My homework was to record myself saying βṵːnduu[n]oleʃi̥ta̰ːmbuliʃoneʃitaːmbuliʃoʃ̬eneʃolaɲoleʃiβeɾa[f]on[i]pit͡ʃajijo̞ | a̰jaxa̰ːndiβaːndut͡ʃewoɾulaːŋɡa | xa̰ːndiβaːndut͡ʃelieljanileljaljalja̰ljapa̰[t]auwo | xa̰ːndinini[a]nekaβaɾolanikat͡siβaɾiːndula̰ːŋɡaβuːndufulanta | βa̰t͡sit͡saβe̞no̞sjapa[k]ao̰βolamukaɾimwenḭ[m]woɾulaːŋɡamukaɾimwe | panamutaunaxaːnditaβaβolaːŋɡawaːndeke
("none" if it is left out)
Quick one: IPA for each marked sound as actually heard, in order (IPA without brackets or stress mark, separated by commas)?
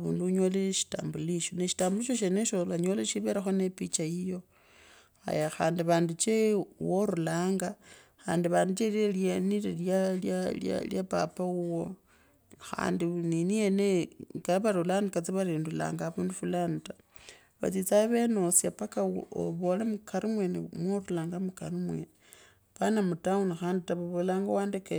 ɲ, x, e, p, e, k, m